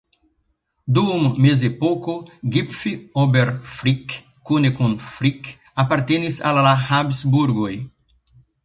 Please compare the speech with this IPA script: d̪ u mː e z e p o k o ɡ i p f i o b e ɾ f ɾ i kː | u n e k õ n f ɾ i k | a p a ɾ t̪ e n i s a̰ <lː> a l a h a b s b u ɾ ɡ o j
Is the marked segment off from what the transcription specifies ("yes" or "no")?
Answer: yes